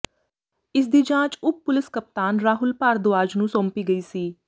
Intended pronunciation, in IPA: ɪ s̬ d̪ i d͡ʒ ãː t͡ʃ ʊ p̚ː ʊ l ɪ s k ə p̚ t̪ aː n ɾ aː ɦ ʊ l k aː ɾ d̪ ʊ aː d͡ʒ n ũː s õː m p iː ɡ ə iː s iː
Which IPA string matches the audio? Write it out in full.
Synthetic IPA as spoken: ɪ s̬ d̪ iː d͡ʒ ãː t͡ʃ ʊ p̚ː ʊ l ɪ s k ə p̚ t̪ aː n ɾ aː ɦ ʊ l p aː ɾ d̪ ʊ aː d͡ʒ n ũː s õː m p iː ɡ ə iː s iː